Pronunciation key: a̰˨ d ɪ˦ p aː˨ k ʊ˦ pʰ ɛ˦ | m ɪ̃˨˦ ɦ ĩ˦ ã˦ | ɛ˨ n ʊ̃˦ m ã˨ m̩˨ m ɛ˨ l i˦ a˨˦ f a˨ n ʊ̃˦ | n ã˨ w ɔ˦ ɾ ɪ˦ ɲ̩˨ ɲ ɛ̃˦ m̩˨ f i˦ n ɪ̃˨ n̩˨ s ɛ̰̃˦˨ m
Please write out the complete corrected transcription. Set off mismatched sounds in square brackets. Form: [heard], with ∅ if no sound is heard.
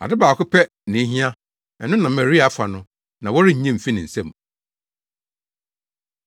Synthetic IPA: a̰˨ d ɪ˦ [b] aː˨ k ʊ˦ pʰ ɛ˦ | [n] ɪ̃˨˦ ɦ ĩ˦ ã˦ | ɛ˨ n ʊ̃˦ [n] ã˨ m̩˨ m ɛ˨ [ɾ] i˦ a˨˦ f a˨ n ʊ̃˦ | n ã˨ w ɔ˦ ɾ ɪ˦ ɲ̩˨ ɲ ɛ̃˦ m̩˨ f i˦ n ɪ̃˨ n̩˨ s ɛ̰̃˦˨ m